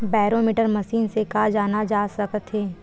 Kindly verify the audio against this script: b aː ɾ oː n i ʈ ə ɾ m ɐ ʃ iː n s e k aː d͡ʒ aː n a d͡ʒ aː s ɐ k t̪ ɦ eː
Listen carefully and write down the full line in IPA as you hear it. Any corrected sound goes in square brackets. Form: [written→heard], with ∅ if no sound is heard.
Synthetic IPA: b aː ɾ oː [n→m] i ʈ ə ɾ m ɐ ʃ iː n s e k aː d͡ʒ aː n a d͡ʒ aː s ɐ k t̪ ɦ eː